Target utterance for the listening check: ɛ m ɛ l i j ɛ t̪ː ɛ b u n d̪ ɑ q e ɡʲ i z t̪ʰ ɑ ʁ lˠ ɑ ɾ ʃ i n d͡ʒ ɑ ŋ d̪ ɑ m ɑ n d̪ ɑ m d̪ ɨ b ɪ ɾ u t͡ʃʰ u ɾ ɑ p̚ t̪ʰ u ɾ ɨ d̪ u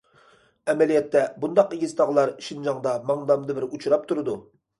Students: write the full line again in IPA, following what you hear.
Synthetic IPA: ɛ m ɛ l i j ɛ t̪ː ɛ b u n d̪ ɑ q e ɡʲ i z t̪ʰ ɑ ʁ lˠ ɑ ɾ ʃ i n d͡ʒ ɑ ŋ d̪ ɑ m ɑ ŋ d̪ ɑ m d̪ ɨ b ɪ ɾ u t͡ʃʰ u ɾ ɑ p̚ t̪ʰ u ɾ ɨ d̪ u